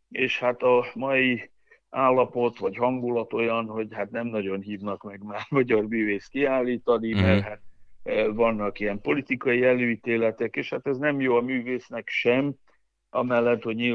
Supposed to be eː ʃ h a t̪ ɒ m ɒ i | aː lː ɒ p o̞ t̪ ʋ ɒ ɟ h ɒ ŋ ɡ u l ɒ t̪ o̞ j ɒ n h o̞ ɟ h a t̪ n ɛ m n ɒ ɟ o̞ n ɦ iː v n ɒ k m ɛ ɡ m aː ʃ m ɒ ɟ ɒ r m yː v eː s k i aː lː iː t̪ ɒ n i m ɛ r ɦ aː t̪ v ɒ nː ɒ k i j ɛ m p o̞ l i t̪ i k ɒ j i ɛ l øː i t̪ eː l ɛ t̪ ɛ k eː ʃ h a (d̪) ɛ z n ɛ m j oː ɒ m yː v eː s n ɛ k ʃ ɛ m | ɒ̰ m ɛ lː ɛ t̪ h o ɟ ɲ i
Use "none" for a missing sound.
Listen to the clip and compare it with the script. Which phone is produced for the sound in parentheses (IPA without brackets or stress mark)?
t̪